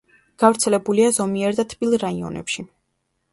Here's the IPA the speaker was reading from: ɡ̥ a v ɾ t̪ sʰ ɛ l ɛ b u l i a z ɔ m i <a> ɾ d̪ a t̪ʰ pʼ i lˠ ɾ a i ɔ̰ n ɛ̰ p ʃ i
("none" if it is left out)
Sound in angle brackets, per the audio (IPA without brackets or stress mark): ɛ